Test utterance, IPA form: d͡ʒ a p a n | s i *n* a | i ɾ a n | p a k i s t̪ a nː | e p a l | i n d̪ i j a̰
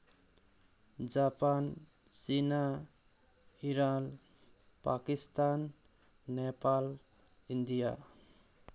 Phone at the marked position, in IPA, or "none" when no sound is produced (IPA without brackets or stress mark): n